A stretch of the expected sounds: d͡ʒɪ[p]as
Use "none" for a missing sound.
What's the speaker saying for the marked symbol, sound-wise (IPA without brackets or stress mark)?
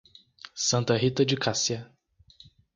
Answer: k